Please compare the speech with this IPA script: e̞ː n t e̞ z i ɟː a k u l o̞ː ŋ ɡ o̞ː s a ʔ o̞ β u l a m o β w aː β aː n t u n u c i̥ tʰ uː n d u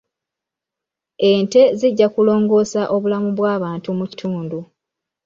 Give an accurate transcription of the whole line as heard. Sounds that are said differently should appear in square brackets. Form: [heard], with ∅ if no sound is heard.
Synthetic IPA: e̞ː n t e̞ z i ɟː a k u l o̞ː ŋ ɡ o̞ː s a ʔ o̞ β u l a m [u] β w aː β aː n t u [m] u c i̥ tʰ uː n d u